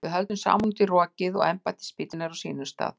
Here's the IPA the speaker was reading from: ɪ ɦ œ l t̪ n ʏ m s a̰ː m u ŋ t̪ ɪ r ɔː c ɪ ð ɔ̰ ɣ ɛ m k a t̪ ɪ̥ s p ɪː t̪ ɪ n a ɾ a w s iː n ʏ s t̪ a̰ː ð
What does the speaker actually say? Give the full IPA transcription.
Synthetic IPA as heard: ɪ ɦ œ l t̪ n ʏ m s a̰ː m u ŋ t̪ ɪ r ɔː c ɪ ð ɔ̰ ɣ ɛ m p a t̪ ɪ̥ s p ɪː t̪ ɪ n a ɾ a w s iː n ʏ s t̪ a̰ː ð